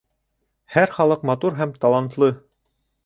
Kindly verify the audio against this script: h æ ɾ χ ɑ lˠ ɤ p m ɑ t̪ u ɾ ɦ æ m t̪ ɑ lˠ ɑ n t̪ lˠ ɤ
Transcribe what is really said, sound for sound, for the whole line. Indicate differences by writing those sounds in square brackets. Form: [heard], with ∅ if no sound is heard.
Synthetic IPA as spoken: h æ ɾ χ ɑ lˠ ɤ [q] m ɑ t̪ u ɾ ɦ æ m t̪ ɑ lˠ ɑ n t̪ lˠ ɤ